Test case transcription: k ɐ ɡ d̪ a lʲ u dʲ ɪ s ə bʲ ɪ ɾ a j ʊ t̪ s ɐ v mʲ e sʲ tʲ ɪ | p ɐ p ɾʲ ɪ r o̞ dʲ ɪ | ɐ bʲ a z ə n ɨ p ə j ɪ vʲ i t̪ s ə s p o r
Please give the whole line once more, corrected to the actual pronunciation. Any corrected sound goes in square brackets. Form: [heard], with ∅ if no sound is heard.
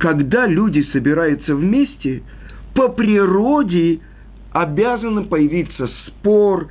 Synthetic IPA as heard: k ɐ ɡ d̪ a lʲ u dʲ ɪ s ə bʲ ɪ ɾ a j ʊ t̪ s [ə] v mʲ e sʲ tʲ ɪ | p [ə] p ɾʲ ɪ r o̞ dʲ ɪ | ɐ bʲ a z ə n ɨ p ə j ɪ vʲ i t̪ s ə s p o r